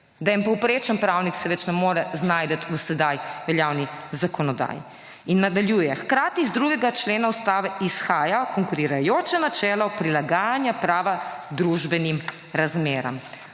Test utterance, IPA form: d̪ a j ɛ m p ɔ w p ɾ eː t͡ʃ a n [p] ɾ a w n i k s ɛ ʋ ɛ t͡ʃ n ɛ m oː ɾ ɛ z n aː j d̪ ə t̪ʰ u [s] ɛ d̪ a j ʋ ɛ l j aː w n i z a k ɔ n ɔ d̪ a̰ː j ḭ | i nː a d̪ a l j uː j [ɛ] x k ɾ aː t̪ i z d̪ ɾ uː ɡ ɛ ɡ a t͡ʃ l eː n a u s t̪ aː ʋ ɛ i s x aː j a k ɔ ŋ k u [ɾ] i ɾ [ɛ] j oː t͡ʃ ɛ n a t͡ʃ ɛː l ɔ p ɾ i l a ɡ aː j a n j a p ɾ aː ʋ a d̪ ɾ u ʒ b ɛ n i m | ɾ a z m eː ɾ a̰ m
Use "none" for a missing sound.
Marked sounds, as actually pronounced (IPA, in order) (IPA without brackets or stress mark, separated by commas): p, s, ɛ, ɾ, a